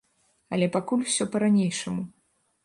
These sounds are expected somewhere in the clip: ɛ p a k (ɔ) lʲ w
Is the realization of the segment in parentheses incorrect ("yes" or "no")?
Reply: yes